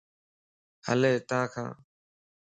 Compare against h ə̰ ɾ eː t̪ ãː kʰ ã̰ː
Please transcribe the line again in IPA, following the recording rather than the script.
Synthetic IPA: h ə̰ l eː t̪ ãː kʰ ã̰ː

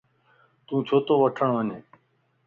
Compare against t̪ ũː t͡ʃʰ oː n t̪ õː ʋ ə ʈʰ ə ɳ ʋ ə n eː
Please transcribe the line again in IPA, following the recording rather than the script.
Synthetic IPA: t̪ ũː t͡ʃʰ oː t̪ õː ʋ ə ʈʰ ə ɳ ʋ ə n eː

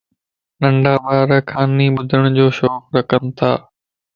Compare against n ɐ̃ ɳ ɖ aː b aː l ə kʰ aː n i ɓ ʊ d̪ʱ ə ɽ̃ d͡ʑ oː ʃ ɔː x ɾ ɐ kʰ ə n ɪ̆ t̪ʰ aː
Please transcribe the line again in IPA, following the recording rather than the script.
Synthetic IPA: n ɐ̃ ɳ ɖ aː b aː ɾ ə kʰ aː n i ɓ ʊ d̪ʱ ə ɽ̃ d͡ʑ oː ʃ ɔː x ɾ ɐ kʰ ə n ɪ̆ t̪ʰ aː

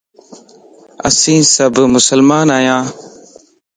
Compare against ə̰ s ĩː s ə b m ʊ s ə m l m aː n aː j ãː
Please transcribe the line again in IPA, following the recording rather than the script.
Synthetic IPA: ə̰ s ĩː s ə b m ʊ s ə l m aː n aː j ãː

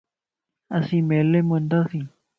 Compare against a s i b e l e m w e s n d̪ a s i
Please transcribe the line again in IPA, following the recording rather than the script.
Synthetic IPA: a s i m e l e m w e n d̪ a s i

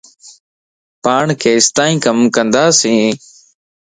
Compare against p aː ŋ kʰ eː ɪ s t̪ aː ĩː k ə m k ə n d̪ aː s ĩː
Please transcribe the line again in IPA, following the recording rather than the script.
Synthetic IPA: p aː ɳ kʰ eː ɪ s t̪ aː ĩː k ə m k ə n d̪ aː s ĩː

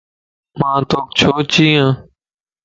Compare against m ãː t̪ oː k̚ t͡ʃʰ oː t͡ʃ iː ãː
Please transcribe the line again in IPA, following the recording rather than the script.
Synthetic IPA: m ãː t̪ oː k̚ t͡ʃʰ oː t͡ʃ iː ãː

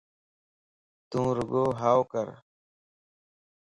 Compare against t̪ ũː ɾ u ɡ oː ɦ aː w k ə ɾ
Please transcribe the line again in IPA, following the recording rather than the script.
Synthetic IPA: t̪ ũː ɾ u ɡ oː ɦ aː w k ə ɾ

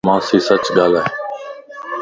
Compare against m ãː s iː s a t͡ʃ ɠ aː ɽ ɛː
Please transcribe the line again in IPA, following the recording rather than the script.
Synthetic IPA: m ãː s iː s ə t͡ʃ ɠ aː l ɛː

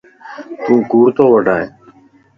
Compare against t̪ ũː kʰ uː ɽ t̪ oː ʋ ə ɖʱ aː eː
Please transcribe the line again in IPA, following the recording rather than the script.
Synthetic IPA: t̪ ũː k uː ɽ t̪ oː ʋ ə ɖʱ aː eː

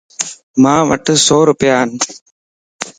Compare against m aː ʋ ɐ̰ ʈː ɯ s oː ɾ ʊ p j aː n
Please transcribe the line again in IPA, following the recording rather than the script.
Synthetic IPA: m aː ʋ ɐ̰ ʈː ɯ s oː ɾ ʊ p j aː n

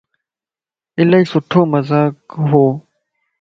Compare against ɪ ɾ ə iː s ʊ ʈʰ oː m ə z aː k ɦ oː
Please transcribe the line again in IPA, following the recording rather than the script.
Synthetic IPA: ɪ l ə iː s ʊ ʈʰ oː m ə z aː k ɦ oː

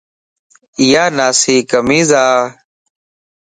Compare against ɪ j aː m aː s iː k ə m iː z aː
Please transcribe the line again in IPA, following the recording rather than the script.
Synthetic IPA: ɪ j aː n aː s iː k ə m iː z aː

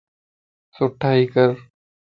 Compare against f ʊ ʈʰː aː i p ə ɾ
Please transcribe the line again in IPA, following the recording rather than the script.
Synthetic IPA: s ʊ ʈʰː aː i k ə ɾ

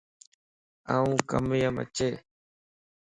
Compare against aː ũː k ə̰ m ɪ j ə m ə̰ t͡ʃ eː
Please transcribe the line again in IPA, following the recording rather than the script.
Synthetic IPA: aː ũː k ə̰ m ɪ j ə m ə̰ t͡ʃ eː

